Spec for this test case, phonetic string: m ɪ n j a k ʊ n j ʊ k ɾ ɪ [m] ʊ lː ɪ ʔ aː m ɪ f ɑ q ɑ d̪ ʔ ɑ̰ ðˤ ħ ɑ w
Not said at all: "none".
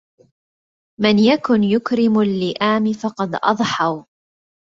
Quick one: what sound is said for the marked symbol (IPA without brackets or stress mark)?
m